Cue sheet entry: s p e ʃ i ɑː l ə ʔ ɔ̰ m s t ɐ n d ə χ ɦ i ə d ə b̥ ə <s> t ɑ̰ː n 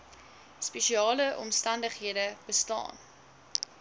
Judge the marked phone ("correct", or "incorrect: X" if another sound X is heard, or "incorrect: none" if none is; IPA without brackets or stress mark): correct